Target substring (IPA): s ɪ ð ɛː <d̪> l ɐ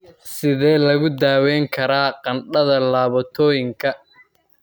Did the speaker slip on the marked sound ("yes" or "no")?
yes